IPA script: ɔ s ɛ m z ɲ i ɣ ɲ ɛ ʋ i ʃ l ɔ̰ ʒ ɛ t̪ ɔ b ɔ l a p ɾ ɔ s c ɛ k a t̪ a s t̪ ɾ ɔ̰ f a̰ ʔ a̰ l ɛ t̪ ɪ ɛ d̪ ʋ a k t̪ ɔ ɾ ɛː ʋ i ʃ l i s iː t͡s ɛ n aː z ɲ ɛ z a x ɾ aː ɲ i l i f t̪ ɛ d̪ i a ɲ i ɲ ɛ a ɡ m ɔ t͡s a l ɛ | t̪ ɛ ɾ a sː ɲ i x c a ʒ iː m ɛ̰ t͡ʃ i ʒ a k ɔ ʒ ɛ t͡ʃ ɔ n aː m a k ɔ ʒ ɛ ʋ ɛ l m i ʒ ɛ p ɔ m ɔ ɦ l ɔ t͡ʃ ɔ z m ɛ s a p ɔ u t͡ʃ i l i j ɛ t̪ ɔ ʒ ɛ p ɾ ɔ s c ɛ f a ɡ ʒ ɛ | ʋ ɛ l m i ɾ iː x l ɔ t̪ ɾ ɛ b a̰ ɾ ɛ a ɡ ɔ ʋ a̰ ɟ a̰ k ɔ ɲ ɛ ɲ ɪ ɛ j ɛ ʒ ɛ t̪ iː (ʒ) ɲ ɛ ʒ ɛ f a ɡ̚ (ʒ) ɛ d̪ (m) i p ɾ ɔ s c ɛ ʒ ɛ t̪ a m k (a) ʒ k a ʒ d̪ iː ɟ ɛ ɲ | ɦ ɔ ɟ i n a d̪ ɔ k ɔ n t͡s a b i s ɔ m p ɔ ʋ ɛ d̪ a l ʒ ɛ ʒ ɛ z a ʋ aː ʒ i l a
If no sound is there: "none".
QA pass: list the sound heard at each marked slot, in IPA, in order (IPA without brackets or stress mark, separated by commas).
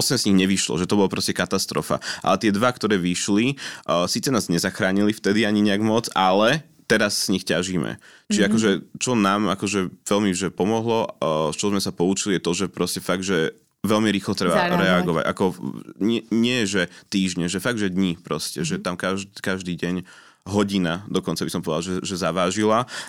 ʒ, ʒ, ɲ, a